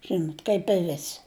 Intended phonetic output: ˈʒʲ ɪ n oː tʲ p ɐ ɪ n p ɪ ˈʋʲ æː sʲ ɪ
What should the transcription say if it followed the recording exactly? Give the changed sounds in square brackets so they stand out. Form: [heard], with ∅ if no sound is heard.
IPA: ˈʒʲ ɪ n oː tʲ [k] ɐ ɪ [∅] p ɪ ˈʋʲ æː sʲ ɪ